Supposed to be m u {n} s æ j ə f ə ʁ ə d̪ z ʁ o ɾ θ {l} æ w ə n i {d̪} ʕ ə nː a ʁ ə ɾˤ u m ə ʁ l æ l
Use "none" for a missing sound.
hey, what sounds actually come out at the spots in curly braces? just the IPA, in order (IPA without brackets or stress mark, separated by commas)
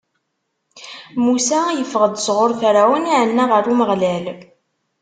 none, ɾ, none